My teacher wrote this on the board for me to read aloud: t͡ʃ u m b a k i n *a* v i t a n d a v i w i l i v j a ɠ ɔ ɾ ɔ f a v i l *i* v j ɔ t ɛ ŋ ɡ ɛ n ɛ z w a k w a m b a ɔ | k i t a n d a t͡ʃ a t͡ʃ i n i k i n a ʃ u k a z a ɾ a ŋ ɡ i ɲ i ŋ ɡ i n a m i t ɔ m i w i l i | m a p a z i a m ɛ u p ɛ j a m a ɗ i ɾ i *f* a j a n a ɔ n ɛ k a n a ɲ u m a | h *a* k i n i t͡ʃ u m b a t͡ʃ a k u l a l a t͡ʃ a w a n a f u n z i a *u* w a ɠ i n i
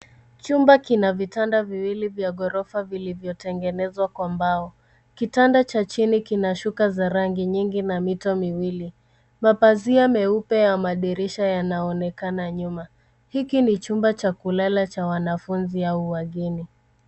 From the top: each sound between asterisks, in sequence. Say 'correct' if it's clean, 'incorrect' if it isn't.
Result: correct, correct, incorrect, incorrect, correct

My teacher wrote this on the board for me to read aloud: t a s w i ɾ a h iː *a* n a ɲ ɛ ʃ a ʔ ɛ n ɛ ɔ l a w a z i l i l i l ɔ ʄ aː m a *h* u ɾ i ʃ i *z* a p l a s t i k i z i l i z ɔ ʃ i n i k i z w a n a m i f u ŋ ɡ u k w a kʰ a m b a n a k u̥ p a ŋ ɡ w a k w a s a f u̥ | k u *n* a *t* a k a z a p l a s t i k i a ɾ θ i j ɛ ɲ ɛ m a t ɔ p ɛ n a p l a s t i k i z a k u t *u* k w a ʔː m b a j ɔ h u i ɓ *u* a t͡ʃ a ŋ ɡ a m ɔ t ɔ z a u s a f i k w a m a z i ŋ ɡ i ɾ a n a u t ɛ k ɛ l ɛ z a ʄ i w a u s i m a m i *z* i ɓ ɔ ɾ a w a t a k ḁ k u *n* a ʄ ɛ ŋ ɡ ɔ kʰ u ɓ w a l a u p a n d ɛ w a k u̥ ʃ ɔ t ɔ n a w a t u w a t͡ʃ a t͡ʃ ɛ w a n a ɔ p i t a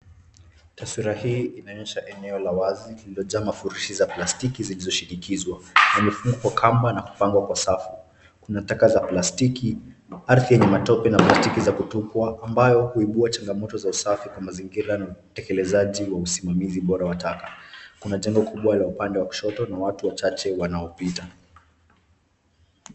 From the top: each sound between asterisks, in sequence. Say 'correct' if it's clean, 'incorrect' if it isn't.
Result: incorrect, incorrect, correct, correct, correct, correct, correct, correct, correct

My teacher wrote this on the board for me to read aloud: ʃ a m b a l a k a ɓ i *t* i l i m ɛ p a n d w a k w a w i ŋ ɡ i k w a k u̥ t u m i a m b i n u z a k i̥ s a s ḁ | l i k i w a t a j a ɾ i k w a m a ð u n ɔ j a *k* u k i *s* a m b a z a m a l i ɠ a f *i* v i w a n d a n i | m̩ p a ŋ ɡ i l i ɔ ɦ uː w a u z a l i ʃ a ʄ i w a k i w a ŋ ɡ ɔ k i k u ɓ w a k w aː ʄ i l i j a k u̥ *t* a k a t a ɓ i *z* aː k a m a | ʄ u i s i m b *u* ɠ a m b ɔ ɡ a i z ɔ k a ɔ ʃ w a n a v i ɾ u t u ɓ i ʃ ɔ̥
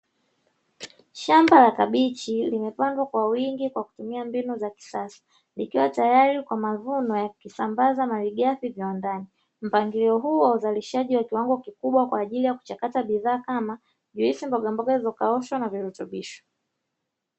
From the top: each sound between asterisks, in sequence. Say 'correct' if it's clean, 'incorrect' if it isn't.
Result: incorrect, correct, correct, correct, incorrect, incorrect, incorrect

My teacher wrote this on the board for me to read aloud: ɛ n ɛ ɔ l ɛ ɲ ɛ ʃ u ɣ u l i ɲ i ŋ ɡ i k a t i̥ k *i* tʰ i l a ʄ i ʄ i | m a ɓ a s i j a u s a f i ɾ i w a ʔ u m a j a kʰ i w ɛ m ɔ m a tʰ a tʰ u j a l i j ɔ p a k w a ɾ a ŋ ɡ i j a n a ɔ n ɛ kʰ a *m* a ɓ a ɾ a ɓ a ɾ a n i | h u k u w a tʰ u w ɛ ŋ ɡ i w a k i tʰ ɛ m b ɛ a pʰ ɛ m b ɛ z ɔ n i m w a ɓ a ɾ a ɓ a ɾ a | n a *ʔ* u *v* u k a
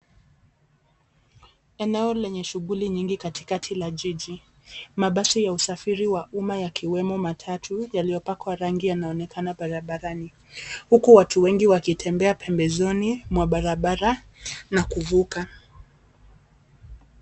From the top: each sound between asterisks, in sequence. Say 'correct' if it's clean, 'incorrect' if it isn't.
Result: incorrect, incorrect, incorrect, correct

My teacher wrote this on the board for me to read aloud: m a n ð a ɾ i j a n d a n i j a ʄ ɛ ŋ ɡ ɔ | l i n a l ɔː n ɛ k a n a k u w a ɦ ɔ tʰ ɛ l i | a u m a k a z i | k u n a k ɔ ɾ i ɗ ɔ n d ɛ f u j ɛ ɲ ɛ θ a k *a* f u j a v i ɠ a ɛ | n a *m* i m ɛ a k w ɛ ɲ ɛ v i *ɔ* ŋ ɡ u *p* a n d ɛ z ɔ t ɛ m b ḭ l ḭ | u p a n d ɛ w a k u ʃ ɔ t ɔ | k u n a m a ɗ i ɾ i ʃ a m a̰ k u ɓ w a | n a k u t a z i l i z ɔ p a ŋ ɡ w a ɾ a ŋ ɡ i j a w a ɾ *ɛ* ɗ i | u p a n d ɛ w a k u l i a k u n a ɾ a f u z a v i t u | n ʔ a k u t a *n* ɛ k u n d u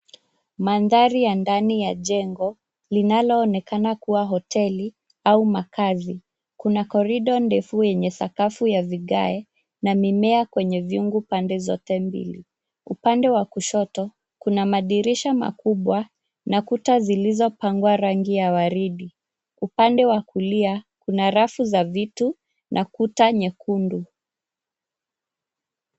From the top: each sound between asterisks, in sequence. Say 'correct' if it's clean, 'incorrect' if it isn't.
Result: correct, correct, incorrect, correct, incorrect, incorrect

